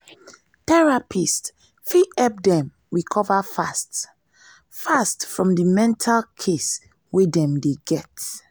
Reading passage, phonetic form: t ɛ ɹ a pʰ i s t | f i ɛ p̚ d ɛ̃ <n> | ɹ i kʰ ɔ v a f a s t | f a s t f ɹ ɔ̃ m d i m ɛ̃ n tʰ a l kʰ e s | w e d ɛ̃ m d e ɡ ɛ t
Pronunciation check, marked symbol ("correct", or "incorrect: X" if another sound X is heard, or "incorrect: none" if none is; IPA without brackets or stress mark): incorrect: m